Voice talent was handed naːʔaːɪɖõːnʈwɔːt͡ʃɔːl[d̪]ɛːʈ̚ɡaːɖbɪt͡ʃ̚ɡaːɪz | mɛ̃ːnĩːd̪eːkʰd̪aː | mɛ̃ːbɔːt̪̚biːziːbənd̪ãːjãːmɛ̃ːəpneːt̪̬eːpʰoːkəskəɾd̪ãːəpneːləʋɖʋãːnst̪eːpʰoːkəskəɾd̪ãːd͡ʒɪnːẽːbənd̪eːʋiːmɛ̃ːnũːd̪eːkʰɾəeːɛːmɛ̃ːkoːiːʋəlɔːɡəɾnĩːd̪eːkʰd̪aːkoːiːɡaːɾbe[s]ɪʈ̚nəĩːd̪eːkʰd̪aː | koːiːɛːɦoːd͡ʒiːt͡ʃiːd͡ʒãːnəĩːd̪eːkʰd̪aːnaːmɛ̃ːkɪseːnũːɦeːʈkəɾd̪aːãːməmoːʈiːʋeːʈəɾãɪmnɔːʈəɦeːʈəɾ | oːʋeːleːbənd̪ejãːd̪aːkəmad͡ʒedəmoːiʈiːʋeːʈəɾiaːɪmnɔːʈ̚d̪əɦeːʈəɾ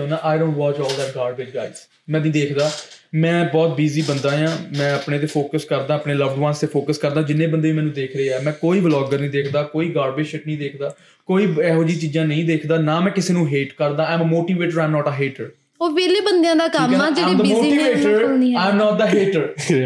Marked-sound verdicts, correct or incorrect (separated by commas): correct, incorrect